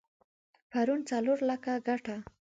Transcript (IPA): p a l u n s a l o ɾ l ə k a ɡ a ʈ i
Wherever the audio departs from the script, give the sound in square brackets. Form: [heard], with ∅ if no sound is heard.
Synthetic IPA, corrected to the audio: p a [ɾ] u n [t͡s] a l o ɾ l [a] k a ɡ a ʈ [a]